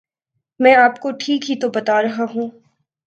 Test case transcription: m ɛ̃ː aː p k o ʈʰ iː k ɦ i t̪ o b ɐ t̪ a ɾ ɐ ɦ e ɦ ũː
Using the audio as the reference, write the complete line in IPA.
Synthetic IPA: m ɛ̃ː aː p k o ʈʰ iː k ɦ i t̪ o b ɐ t̪ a ɾ ɐ ɦ a ɦ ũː

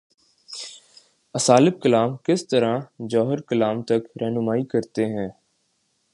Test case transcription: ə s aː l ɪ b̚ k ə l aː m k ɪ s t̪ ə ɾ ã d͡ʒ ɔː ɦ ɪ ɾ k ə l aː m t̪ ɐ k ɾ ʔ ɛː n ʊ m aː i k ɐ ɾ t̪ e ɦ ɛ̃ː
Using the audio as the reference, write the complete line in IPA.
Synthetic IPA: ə s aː l ɪ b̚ k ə l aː m k ɪ s t̪ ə ɾ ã d͡ʒ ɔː ɦ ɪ ɾ k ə l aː m t̪ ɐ k ɾ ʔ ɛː n ʊ m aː i k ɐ ɾ t̪ e ɦ ɛ̃ː

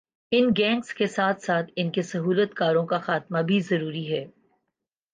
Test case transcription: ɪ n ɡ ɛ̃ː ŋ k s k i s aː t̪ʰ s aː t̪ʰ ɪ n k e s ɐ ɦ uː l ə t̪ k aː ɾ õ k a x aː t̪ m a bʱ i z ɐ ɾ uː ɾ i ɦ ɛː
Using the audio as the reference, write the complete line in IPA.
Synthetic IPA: ɪ n ɡ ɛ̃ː ŋ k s k e s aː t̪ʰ s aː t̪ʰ ɪ n k e s ɐ ɦ uː l ə t̪ k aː ɾ õ k a x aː t̪ m a bʱ i z ɐ ɾ uː ɾ i ɦ ɛː

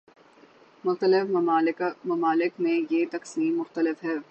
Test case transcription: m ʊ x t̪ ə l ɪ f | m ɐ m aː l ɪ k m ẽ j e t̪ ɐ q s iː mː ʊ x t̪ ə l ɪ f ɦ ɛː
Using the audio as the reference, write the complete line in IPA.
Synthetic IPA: m ʊ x t̪ ə l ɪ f | m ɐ m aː l ɪ k m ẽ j e t̪ ɐ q s iː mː ʊ x t̪ ə l ɪ f ɦ ɛː

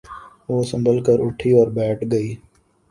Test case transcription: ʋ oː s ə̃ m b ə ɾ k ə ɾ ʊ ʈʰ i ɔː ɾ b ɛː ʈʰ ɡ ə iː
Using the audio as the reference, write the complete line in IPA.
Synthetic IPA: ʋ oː s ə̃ m b ə l k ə ɾ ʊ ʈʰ i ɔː ɾ b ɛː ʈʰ ɡ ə iː

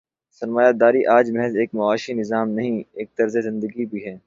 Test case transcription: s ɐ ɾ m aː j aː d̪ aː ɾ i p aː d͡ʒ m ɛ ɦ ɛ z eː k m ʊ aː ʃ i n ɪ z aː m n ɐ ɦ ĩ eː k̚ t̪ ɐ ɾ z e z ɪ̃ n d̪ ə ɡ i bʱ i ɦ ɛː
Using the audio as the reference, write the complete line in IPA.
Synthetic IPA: s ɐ ɾ m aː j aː d̪ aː ɾ i ʔ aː d͡ʒ m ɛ ɦ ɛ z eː k m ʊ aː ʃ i n ɪ z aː m n ɐ ɦ ĩ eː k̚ t̪ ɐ ɾ z e z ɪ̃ n d̪ ə ɡ i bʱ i ɦ ɛː

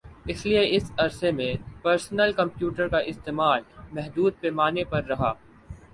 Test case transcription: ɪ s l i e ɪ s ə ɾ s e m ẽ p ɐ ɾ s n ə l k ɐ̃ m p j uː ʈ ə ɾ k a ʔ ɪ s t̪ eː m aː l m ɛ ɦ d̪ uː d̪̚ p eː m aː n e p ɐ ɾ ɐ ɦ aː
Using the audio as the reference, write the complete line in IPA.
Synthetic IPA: ɪ s l i e ɪ s ɐ ɾ s e m ẽ p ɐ ɾ s n ə l k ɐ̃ m p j uː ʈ ə ɾ k a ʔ ɪ s t̪ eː m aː l m ɛ ɦ d̪ uː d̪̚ p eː m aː n e p ɐ ɾː ɐ ɦ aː

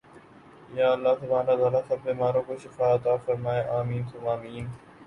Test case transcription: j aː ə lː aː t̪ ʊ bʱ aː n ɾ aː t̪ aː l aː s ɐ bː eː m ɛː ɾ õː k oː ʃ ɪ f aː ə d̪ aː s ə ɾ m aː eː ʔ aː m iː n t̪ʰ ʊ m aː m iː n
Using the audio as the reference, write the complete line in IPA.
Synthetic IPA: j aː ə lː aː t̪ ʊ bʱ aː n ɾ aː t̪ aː l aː s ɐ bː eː m aː ɾ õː k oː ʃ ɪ f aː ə t̪ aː f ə ɾ m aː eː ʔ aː m iː n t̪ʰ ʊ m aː m iː n

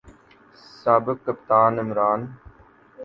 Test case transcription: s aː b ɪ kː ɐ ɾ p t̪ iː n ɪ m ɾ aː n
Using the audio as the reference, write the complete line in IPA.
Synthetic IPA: s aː b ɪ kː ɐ p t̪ aː n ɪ m ɾ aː n

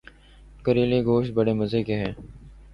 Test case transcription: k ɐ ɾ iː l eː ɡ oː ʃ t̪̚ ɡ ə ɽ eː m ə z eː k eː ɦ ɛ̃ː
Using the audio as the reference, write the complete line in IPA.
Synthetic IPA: k ə ɾ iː l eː ɡ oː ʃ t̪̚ b ə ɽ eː m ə z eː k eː ɦ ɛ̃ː

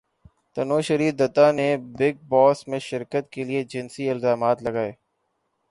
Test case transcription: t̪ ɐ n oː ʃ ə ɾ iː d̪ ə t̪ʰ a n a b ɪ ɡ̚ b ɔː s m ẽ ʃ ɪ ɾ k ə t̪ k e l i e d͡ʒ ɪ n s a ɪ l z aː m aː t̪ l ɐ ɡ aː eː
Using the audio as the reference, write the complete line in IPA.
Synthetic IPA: t̪ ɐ n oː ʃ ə ɾ iː d̪ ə t̪ a n e b ɪ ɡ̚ b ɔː s m ẽ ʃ ɪ ɾ k ə t̪ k e l i e d͡ʒ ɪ n s i ɪ l z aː m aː t̪ l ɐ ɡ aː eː

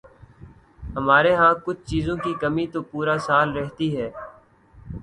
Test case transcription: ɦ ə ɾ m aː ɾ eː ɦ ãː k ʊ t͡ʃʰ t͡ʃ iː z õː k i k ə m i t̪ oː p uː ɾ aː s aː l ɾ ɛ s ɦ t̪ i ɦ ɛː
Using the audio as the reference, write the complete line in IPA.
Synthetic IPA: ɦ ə m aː ɾ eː ɦ ãː k ʊ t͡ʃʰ t͡ʃ iː z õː k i k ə m i t̪ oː p uː ɾ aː s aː l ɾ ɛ ɦ t̪ i ɦ ɛː

